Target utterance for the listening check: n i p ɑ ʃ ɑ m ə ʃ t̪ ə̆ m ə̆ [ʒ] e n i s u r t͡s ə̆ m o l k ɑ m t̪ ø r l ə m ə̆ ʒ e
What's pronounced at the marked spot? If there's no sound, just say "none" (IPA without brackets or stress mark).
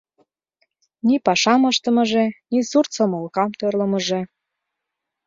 ʒ